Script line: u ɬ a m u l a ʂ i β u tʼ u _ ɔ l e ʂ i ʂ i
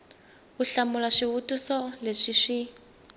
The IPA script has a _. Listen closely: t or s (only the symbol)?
s